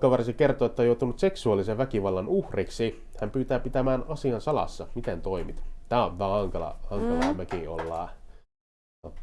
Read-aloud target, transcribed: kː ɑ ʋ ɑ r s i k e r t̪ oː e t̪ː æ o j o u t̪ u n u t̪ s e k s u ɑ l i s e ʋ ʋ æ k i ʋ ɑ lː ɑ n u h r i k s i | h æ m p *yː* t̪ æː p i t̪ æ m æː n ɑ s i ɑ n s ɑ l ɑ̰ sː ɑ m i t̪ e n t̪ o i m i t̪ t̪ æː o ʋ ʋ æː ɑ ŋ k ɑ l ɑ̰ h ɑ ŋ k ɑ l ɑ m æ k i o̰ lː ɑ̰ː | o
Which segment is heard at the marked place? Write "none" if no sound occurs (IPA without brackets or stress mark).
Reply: yː